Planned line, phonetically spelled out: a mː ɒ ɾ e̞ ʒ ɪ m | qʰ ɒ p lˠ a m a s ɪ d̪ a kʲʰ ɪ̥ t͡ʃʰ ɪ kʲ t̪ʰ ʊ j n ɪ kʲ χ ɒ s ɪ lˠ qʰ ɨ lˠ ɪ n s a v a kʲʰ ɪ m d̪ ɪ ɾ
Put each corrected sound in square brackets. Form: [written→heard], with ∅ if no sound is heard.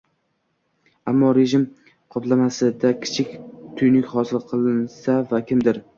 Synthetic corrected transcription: a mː ɒ ɾ e̞ ʒ ɪ m | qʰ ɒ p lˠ a m a s ɪ d̪ a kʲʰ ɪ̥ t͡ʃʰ ɪ kʲ t̪ʰ ʊ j n ɪ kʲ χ ɒ s ɪ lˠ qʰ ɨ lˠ ɪ n s a v a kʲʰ ɪ m d̪ ɪ ɾ